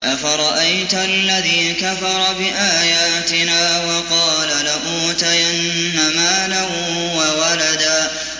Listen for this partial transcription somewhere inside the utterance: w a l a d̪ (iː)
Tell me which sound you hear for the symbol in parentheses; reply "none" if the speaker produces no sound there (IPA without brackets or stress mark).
aː